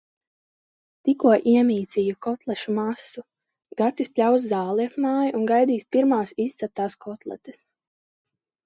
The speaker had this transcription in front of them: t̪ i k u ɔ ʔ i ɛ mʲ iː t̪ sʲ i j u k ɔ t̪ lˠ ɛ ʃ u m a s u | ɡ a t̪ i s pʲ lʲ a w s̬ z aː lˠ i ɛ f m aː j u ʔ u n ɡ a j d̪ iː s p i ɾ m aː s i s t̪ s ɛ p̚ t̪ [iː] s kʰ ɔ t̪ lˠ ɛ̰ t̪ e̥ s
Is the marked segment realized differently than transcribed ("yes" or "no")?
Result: yes